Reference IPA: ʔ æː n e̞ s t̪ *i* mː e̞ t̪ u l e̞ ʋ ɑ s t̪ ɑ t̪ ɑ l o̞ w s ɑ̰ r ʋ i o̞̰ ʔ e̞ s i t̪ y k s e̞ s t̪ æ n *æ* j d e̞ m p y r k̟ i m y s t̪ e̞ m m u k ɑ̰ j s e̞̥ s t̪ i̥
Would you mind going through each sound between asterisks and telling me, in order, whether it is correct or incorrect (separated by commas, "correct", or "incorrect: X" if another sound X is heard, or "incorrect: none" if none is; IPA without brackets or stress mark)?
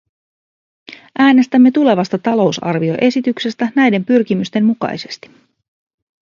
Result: incorrect: æ, correct